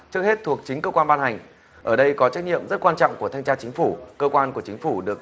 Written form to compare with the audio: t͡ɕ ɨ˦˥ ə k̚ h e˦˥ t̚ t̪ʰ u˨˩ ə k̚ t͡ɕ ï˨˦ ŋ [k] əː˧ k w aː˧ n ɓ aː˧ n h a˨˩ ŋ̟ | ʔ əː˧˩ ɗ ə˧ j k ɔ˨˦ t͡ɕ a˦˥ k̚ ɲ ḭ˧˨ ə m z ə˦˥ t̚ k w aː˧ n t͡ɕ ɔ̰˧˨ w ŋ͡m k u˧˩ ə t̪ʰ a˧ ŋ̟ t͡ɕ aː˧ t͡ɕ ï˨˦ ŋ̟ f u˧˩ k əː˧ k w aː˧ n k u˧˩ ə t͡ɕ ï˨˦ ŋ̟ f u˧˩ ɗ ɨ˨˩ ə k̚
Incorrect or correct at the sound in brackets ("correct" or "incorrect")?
correct